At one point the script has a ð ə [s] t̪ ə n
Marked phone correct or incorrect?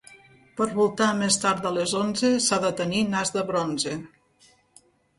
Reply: incorrect